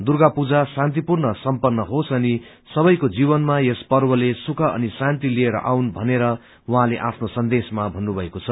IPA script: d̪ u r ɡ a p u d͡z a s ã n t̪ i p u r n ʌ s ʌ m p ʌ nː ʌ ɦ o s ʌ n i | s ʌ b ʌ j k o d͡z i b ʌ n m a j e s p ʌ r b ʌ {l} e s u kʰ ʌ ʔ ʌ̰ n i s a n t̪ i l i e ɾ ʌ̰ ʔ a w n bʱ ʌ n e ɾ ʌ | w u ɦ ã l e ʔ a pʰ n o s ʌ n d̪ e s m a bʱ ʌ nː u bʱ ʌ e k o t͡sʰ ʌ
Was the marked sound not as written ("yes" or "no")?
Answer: no